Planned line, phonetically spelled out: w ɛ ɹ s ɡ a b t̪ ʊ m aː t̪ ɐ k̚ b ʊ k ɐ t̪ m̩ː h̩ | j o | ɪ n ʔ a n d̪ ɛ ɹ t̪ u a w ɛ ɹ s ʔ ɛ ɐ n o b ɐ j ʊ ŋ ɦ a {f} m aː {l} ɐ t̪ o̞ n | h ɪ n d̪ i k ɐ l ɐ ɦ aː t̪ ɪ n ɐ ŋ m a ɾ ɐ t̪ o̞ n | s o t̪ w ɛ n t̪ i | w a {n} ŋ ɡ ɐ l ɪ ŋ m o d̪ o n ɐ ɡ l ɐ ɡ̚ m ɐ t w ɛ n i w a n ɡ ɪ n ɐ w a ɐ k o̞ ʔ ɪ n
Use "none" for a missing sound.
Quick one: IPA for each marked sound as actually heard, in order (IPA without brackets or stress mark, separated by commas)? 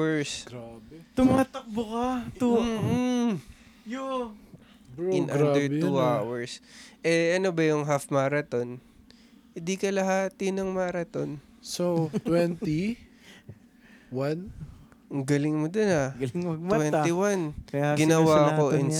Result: f, ɾ, n